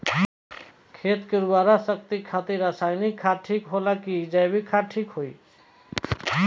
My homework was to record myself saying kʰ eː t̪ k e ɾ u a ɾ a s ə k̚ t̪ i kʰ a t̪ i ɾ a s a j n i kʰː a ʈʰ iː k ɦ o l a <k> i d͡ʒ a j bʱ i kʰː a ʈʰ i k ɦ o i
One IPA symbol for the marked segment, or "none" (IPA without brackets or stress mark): k